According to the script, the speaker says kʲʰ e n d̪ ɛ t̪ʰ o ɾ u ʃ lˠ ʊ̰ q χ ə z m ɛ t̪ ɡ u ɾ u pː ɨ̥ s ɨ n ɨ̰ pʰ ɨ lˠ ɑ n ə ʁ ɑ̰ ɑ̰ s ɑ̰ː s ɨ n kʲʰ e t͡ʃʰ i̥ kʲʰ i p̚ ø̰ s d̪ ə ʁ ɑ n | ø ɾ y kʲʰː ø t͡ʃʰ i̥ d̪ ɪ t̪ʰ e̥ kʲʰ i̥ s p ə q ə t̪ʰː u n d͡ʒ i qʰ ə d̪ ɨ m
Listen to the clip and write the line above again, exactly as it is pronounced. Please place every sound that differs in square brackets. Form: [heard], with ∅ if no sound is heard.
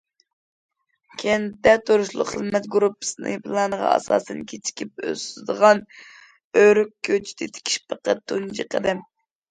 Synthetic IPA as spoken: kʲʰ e n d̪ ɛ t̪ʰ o ɾ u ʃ lˠ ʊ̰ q χ ə z m ɛ t̪ ɡ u ɾ u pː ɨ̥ s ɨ n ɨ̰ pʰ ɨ lˠ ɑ n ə ʁ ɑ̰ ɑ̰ s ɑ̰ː s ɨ n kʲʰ e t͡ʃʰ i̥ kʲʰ i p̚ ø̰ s d̪ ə ʁ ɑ n | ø ɾ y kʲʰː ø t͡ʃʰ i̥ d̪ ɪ t̪ʰ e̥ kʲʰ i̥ [ʃ] p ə q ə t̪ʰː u n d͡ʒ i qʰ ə d̪ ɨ m